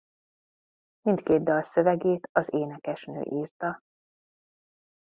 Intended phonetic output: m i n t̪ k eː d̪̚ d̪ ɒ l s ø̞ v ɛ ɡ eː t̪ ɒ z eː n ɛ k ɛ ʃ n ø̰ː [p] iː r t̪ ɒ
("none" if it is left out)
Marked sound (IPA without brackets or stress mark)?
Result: ʔ